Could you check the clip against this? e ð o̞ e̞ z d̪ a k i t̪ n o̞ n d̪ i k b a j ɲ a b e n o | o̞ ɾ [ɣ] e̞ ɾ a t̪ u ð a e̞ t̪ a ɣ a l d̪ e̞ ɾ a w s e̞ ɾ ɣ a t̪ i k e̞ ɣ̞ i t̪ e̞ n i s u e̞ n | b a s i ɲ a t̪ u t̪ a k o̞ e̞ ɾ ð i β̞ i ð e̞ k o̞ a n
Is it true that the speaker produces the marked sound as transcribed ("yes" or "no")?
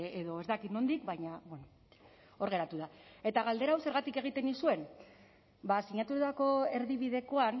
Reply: yes